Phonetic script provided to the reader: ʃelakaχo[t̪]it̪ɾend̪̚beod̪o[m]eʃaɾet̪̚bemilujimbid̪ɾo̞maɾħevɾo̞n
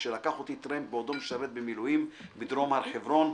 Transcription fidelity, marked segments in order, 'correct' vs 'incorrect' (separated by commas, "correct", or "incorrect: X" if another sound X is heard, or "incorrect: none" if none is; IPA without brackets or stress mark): correct, correct